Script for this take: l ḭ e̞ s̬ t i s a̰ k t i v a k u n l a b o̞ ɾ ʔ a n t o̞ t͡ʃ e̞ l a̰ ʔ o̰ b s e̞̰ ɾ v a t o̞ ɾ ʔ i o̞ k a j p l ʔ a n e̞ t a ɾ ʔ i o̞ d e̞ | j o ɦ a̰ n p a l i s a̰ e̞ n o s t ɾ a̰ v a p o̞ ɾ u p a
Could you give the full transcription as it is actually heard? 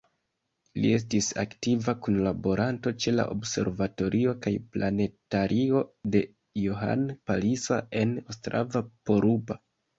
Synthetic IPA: l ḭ e̞ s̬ t i s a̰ k t i v a k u n l a b o̞ ɾ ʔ a n t o̞ t͡ʃ e̞ l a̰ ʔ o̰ b s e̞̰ ɾ v a t o̞ ɾ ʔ i o̞ k a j p l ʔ a n e̞ t a ɾ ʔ i o̞ d e̞ | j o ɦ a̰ n p a l i s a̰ e̞ n o s t ɾ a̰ v a p o̞ ɾ u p a